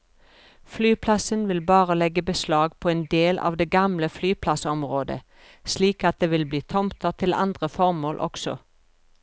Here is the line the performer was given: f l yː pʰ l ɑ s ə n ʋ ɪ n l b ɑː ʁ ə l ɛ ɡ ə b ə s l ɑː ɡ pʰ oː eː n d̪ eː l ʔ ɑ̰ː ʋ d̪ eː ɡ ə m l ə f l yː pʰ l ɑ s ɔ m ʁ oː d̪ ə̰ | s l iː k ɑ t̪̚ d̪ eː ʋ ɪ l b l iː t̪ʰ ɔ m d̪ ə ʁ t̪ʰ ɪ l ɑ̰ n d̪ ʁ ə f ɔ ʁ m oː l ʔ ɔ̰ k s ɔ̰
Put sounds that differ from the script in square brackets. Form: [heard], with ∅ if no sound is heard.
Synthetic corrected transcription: f l yː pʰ l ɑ s ə n ʋ ɪ [∅] l b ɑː ʁ ə l ɛ ɡ ə b ə s l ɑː ɡ pʰ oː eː n d̪ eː l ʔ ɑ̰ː ʋ d̪ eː ɡ [ɑ] m l ə f l yː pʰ l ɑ s ɔ m ʁ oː d̪ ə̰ | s l iː k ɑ t̪̚ d̪ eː ʋ ɪ l b l iː t̪ʰ ɔ m [t̪] ə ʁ t̪ʰ ɪ l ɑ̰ n d̪ ʁ ə f ɔ ʁ m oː l ʔ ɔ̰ k s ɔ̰